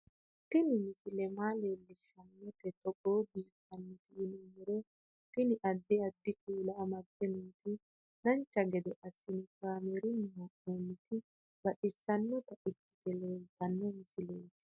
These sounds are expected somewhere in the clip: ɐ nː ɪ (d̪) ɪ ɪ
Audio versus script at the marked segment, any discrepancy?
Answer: yes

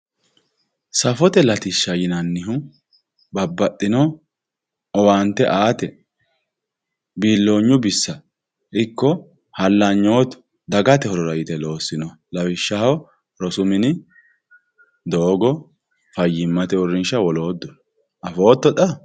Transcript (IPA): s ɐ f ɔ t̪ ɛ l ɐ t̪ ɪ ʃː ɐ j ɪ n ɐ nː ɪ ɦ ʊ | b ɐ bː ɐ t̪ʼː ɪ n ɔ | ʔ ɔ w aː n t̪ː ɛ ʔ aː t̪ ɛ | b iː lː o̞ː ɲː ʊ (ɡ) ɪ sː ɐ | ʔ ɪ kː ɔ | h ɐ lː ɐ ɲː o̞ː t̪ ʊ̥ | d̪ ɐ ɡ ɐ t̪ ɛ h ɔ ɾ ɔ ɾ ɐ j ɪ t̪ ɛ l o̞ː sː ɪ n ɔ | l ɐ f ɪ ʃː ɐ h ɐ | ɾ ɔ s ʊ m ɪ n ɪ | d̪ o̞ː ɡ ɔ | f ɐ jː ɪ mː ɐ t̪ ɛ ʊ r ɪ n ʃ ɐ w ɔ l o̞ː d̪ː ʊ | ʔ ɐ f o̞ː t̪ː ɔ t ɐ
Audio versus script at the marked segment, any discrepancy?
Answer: yes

